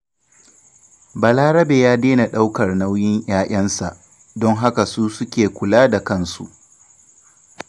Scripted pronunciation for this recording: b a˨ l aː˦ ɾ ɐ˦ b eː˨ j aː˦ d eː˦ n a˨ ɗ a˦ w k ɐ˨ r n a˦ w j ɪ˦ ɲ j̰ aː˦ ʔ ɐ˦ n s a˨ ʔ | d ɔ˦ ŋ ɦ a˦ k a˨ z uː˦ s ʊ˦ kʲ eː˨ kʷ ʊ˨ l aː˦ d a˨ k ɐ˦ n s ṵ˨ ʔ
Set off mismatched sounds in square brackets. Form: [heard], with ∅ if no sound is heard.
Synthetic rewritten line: b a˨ l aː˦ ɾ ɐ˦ b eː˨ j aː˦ d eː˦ n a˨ ɗ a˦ w k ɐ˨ r n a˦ w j ɪ˦ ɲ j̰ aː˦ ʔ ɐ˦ n s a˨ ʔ | d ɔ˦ ŋ ɦ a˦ k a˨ [s] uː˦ s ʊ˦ kʲ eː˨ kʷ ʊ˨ l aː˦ d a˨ k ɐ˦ n s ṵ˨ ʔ